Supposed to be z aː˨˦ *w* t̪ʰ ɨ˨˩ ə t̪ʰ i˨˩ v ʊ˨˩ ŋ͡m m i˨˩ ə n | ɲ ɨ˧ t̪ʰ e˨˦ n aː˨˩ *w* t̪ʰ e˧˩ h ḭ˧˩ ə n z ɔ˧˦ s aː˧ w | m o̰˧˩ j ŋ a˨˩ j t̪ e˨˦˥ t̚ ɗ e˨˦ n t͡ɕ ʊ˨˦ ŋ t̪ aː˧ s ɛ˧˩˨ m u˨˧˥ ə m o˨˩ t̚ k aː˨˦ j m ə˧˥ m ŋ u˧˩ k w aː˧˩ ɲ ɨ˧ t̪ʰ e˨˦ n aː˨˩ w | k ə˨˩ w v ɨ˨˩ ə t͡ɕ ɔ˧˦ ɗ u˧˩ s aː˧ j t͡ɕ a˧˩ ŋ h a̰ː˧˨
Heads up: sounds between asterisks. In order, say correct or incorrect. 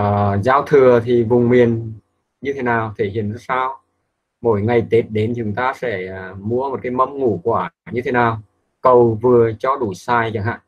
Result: correct, correct

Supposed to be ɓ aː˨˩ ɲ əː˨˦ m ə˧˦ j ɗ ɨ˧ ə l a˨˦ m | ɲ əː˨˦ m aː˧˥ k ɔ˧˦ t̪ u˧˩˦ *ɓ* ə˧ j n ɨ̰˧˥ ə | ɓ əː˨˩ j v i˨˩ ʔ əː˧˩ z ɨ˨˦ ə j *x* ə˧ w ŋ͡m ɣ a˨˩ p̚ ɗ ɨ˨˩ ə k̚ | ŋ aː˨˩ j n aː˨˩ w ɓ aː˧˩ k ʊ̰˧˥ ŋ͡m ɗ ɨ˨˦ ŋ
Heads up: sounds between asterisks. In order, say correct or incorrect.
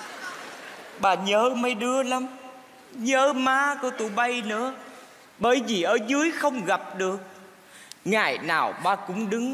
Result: correct, correct

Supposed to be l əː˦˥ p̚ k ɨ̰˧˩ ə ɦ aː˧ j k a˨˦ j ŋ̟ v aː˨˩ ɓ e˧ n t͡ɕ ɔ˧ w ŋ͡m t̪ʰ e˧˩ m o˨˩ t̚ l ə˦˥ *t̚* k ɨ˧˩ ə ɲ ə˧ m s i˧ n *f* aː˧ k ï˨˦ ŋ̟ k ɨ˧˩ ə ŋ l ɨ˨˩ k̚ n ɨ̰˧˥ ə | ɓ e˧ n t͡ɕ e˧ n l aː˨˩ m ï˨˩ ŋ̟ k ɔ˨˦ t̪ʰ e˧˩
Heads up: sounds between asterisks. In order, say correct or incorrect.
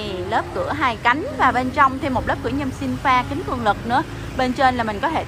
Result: incorrect, correct

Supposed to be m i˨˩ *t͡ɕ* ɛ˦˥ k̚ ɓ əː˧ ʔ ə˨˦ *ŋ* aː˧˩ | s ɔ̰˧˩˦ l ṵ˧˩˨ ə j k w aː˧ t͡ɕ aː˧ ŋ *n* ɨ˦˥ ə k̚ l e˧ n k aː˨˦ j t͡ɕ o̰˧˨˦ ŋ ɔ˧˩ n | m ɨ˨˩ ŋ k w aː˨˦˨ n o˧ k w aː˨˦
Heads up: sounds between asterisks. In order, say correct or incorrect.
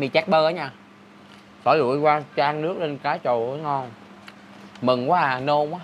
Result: correct, incorrect, correct

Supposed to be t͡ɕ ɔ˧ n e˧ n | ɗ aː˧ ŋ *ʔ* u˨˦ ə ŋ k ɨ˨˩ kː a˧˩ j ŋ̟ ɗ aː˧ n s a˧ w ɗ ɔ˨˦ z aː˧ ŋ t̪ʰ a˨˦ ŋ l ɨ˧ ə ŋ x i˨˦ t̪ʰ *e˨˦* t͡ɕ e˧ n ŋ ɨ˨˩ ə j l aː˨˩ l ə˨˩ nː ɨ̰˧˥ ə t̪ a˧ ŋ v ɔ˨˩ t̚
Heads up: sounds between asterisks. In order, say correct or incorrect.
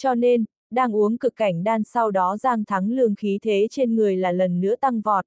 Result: correct, correct

